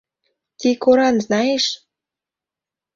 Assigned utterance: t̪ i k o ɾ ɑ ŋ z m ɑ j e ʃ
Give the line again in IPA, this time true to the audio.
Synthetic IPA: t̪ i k o ɾ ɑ n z n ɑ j e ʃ

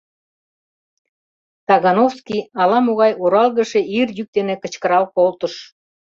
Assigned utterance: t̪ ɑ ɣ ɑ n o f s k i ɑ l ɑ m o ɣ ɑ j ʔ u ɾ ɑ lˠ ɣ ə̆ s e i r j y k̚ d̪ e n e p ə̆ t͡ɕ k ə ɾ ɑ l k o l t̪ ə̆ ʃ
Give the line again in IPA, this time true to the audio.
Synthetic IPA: t̪ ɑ ɣ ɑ n o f s k i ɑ l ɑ m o ɣ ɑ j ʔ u ɾ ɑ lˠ ɣ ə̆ ʃ e i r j y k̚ d̪ e n e k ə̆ t͡ɕ k ə ɾ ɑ l k o l t̪ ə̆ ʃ

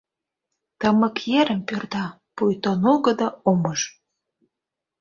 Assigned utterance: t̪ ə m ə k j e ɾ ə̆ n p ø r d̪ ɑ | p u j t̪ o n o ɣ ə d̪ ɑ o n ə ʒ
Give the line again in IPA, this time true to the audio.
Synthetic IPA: t̪ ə m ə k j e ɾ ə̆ m p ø r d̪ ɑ | p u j t̪ o n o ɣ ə d̪ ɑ o m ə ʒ

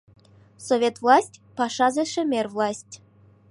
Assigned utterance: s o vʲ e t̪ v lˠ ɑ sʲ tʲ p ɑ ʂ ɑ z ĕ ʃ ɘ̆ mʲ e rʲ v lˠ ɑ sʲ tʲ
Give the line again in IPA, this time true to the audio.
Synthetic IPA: s o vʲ e t̪ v lˠ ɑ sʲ tʲ p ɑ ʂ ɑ z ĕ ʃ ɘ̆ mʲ e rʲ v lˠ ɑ sʲ tʲ

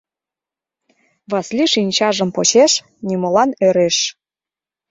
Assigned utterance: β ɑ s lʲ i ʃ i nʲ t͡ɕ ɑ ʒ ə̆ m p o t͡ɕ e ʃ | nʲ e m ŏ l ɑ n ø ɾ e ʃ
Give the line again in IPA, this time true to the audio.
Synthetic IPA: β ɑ s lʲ i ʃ i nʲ t͡ɕ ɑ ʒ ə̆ m p o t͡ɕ e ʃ | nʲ i m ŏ l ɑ n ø ɾ e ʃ

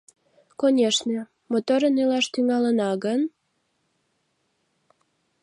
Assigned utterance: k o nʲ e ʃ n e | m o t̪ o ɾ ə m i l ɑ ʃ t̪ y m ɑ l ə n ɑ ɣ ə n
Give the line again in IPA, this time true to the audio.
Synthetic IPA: k o nʲ e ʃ n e | m o t̪ o ɾ ə n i l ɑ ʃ t̪ y ŋ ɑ l ə n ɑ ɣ ə n

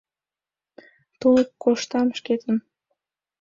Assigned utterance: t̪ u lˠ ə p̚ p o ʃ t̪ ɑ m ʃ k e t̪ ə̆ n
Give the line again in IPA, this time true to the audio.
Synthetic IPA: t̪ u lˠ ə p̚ k o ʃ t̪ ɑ m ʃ k e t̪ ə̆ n

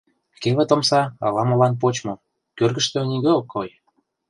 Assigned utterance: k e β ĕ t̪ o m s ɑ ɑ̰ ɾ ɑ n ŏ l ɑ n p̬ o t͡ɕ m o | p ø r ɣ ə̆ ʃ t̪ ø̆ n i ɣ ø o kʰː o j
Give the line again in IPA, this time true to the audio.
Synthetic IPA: k e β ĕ t̪ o m s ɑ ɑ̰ l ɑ m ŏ l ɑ n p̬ o t͡ɕ m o | k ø r ɣ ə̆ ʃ t̪ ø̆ n i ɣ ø o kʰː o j

